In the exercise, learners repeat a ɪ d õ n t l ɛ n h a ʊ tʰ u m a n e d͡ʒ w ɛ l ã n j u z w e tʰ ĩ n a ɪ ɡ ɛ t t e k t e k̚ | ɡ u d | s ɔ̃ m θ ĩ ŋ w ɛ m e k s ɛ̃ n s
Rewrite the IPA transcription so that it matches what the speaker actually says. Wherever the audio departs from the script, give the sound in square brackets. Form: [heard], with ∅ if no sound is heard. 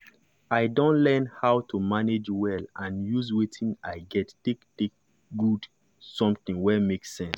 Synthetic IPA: a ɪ d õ n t l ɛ n h a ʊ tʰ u m a n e d͡ʒ w ɛ l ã n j u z w e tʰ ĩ n a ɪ ɡ ɛ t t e k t e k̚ | ɡ u d | s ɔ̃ m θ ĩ ŋ w ɛ m e k s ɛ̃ n s